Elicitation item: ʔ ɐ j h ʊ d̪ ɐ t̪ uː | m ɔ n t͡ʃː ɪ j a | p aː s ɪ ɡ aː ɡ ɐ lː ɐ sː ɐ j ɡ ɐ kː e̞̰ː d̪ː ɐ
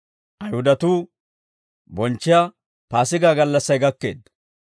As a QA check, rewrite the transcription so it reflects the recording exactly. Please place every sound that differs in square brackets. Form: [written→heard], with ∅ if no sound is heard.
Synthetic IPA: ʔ ɐ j h ʊ d̪ ɐ t̪ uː | [m→b] ɔ n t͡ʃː ɪ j a | p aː s ɪ ɡ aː ɡ ɐ lː ɐ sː ɐ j ɡ ɐ kː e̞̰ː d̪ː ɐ

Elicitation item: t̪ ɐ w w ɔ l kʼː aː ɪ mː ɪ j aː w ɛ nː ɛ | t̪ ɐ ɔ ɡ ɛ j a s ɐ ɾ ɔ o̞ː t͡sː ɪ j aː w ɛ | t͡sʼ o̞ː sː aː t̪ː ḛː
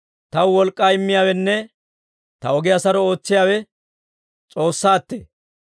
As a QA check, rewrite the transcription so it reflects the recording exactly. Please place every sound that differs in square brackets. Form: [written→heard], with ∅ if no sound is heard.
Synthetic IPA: t̪ ɐ w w ɔ l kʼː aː ɪ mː ɪ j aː w ɛ nː ɛ | t̪ ɐ ɔ ɡ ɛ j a s ɐ ɾ ɔ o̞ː t͡sː ɪ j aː w ɛ | t͡sʼ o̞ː sː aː t̪ː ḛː

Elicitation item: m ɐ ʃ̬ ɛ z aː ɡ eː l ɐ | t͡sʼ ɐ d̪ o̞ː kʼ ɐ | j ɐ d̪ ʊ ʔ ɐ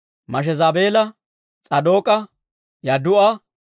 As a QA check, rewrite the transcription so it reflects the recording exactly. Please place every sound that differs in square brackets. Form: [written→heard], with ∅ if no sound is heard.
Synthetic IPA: m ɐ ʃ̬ ɛ z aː [ɡ→b] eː l ɐ | t͡sʼ ɐ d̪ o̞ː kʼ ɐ | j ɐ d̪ ʊ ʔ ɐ

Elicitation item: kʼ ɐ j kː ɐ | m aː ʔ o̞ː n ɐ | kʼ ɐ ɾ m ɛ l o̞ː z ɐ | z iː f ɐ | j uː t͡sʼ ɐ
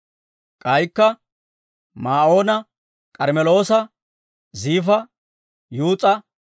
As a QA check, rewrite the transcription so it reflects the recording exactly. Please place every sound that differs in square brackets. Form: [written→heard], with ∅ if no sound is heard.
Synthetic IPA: kʼ ɐ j kː ɐ | m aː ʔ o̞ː n ɐ | kʼ ɐ ɾ m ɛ l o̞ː [z→s] ɐ | z iː f ɐ | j uː t͡sʼ ɐ

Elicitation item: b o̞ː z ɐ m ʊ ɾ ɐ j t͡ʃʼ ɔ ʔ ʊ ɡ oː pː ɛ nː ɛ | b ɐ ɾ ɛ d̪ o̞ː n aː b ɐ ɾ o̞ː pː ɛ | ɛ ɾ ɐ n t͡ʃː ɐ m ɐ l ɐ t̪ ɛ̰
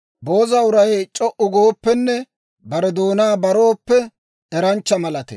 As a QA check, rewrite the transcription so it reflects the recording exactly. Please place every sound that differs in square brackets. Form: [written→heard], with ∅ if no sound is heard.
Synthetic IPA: b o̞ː z ɐ [m→∅] ʊ ɾ ɐ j t͡ʃʼ ɔ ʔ ʊ ɡ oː pː ɛ nː ɛ | b ɐ ɾ ɛ d̪ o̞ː n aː b ɐ ɾ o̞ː pː ɛ | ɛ ɾ ɐ n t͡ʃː ɐ m ɐ l ɐ t̪ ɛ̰

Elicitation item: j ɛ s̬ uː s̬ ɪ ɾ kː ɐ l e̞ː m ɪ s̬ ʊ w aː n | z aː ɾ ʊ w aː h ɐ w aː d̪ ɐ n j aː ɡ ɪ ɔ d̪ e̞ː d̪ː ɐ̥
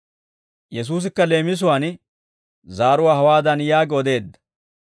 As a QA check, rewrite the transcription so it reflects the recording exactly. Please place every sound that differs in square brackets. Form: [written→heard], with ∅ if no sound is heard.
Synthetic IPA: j ɛ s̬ uː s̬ ɪ [ɾ→∅] kː ɐ l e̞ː m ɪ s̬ ʊ w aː n | z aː ɾ ʊ w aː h ɐ w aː d̪ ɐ n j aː ɡ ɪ ɔ d̪ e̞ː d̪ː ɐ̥

